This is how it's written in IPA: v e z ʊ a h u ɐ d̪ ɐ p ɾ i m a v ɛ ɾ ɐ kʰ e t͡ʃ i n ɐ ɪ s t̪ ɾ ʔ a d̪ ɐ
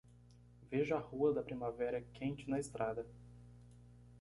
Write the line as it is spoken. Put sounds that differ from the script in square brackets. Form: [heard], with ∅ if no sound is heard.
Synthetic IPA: v e [ʒ] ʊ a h u ɐ d̪ ɐ p ɾ i m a v ɛ ɾ ɐ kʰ [ẽ] t͡ʃ [ɪ] n ɐ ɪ s t̪ ɾ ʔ a d̪ ɐ